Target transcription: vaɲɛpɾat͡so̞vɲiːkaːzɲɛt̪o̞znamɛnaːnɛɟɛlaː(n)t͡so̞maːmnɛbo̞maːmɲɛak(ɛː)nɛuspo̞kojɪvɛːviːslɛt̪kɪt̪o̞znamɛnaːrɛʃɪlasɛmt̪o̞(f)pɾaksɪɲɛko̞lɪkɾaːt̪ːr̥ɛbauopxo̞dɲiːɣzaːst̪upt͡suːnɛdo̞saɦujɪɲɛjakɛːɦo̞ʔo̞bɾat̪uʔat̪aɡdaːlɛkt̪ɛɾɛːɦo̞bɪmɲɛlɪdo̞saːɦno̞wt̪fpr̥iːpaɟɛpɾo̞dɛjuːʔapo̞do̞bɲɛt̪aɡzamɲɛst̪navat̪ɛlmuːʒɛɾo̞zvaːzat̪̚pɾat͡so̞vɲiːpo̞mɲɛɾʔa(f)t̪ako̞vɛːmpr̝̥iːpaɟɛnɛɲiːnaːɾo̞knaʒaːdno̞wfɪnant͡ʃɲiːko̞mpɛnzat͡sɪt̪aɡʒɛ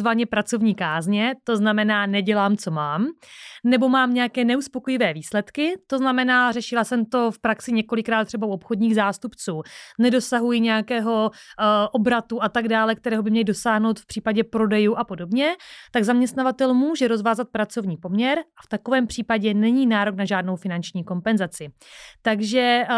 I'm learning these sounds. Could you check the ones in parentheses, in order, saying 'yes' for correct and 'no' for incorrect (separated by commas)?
no, yes, yes, yes